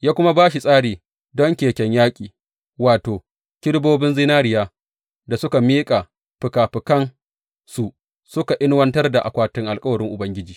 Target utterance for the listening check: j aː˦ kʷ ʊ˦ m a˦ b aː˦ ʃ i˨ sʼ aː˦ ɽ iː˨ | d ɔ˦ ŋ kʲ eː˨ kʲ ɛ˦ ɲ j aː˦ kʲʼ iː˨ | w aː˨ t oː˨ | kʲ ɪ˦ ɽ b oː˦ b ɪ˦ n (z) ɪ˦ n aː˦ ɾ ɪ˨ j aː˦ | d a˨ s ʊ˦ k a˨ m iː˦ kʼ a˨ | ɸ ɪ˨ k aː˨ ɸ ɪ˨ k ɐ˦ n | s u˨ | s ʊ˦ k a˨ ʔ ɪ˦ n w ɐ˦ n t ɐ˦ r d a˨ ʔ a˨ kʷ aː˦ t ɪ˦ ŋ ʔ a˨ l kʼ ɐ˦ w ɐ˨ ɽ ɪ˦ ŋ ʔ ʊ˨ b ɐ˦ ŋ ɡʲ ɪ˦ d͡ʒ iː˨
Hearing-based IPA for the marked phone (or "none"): z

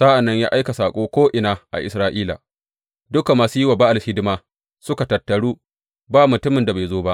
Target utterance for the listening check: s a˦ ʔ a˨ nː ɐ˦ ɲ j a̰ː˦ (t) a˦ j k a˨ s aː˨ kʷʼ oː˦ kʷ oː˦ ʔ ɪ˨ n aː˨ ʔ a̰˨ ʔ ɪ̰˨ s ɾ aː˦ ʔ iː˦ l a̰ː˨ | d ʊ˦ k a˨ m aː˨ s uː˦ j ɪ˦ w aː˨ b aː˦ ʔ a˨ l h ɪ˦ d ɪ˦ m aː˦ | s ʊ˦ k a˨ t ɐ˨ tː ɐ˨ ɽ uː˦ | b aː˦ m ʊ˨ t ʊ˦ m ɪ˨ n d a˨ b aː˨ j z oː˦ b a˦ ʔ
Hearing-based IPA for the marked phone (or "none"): ʔ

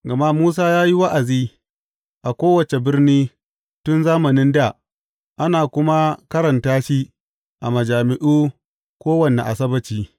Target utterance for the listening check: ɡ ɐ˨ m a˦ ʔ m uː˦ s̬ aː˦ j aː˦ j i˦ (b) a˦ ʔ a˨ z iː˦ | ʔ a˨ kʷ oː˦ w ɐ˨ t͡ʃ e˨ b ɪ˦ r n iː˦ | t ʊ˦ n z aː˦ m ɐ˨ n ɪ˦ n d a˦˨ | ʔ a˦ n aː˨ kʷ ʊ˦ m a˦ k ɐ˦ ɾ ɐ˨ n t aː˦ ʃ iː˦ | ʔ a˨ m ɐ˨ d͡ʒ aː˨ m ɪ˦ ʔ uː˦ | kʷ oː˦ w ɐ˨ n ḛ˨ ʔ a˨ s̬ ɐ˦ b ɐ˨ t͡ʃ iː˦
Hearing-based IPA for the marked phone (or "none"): w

